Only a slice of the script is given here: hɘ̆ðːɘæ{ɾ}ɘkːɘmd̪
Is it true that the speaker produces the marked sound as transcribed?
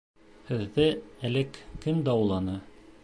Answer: no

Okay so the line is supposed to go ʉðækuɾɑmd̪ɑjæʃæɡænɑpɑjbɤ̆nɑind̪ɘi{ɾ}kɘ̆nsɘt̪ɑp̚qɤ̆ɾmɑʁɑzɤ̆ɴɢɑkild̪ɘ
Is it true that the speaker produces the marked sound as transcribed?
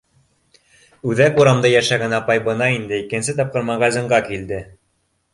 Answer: no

